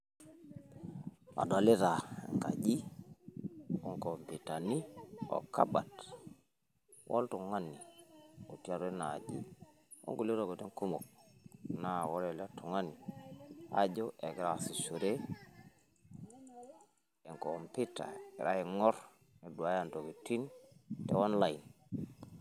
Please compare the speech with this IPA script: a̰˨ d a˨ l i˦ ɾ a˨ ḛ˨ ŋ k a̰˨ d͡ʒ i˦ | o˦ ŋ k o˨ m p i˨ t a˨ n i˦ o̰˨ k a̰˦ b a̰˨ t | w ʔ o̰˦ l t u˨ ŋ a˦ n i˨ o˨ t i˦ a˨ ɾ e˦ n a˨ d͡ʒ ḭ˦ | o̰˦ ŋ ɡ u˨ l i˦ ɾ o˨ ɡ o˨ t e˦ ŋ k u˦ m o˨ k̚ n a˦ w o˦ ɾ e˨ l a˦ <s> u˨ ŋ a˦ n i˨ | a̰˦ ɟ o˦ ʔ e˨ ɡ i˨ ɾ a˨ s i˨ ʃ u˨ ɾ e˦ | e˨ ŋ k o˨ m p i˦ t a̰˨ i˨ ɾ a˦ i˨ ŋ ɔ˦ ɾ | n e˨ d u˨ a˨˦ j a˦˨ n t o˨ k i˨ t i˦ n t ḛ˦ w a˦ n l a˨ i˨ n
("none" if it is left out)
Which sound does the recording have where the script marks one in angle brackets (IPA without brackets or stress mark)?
t